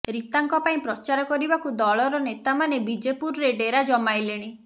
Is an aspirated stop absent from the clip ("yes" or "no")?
yes